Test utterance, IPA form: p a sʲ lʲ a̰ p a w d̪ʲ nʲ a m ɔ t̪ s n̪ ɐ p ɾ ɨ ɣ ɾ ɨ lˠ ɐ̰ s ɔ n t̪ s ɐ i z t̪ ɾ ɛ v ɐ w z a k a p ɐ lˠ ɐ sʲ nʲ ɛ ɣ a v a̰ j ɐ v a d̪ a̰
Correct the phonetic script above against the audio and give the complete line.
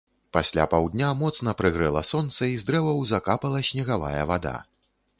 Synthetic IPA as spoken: p a sʲ lʲ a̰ p a w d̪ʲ nʲ a m ɔ t̪ s n̪ ɐ p ɾ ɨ ɣ ɾ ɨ lˠ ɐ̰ s ɔ n t̪ s ɐ i z d̪ ɾ ɛ v ɐ w z a k a p ɐ lˠ ɐ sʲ nʲ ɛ ɣ a v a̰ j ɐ v a d̪ a̰

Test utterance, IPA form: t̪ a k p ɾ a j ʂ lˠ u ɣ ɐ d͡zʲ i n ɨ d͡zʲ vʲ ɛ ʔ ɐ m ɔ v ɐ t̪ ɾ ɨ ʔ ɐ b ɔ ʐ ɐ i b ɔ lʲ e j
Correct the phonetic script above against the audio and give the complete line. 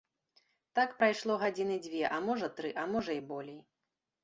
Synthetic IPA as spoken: t̪ a k p ɾ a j ʂ lˠ ɔ ɣ a d͡zʲ i n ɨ d͡zʲ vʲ ɛ ʔ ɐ m ɔ ʐ ɐ t̪ ɾ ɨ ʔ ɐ m ɔ ʐ ɐ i b ɔ lʲ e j

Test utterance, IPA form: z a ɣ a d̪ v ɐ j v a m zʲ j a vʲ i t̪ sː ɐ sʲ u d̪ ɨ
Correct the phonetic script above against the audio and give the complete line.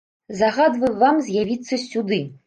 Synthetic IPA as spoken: z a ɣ a d̪ v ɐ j v a m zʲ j a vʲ i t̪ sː ɐ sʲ u d̪ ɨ

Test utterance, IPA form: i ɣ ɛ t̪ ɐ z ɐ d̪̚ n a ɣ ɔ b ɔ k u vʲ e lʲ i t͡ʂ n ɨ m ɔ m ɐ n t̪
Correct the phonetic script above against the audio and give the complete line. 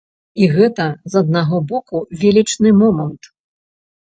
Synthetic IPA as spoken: i ɣ ɛ t̪ ɐ z ɐ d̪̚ n a ɣ ɔ b ɔ k u vʲ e lʲ i t͡ʂ n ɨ m ɔ m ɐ n t̪

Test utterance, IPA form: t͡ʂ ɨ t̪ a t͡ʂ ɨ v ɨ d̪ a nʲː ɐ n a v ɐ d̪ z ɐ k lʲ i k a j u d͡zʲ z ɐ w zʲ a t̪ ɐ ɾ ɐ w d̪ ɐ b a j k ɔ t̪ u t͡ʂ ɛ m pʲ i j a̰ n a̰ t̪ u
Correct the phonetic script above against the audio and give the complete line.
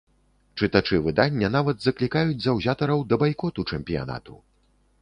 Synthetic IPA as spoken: t͡ʂ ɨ t̪ a t͡ʂ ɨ v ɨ d̪ a nʲː ɐ n a v ɐ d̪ z ɐ k lʲ i k a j u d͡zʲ z ɐ w zʲ a t̪ ɐ ɾ ɐ w d̪ ɐ b a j k ɔ t̪ u t͡ʂ ɛ m pʲ i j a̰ n a̰ t̪ u

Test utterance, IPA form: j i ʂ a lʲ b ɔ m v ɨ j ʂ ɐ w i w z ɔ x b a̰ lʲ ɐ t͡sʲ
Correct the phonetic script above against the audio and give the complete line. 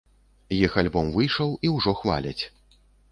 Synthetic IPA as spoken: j i x a lʲ b ɔ m v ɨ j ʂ ɐ w i w ʐ ɔ x v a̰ lʲ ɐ t͡sʲ

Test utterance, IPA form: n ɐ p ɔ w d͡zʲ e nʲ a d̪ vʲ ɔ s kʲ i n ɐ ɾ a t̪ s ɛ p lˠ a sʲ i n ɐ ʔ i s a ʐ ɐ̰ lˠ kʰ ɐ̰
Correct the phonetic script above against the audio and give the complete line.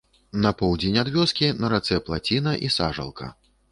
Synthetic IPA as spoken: n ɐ p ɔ w d͡zʲ e nʲ a d̪ vʲ ɔ s kʲ i n ɐ ɾ a t̪ s ɛ p lˠ a t͡sʲ i n ɐ ʔ i s a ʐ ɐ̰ lˠ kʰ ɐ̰

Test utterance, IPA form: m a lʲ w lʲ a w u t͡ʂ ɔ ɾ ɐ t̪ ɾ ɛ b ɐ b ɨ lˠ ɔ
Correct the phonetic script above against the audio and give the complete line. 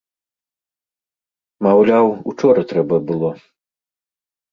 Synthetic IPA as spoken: m a w lʲ a w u t͡ʂ ɔ ɾ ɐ t̪ ɾ ɛ b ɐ b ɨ lˠ ɔ

